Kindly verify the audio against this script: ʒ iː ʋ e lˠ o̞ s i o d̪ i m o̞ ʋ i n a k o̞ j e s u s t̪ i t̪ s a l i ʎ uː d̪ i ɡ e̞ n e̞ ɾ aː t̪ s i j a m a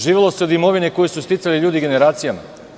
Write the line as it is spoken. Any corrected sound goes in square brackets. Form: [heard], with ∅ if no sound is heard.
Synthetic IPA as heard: ʒ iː ʋ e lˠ o̞ s [e] o d̪ i m o̞ ʋ i n [e] k o̞ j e s u s t̪ i t̪ s a l i ʎ uː d̪ i ɡ e̞ n e̞ ɾ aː t̪ s i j a m a